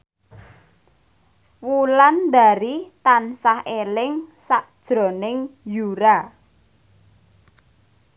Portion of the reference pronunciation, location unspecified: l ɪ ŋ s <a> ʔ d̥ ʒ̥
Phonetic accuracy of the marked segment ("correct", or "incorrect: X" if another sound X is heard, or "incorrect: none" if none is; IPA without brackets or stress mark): correct